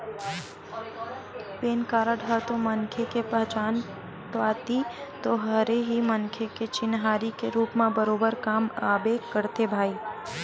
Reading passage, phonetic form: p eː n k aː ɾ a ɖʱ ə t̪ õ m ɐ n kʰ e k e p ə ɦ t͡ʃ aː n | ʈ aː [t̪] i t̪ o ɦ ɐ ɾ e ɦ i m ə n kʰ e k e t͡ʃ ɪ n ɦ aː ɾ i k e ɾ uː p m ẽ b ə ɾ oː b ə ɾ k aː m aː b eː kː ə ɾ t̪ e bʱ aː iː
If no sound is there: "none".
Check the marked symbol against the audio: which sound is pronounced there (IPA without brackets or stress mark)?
t̪